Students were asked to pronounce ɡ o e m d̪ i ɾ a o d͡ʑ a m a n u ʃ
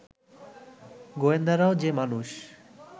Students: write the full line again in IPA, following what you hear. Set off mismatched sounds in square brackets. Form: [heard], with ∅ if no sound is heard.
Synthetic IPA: ɡ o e [n] d̪ [a] ɾ a o d͡ʑ [e] m a n u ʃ